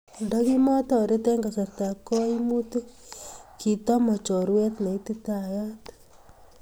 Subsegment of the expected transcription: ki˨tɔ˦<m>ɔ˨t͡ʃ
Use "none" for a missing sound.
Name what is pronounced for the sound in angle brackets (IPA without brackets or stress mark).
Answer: m